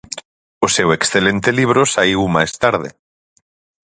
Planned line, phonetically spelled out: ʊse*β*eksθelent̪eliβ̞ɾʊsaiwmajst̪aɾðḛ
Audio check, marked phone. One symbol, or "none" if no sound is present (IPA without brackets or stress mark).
w